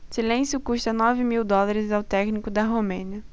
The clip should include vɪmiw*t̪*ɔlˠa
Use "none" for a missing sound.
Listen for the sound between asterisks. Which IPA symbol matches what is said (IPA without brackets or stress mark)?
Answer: d̪